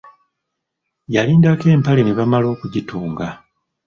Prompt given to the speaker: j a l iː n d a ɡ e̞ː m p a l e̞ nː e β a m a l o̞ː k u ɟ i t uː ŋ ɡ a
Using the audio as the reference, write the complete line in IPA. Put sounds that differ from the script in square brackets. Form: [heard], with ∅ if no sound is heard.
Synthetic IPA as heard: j a l iː n d a [k] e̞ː m p a l e̞ [n] e β a m a l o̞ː k u ɟ i t uː ŋ ɡ a